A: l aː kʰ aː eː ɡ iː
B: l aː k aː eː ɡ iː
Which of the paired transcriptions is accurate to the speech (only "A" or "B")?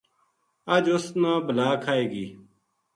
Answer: A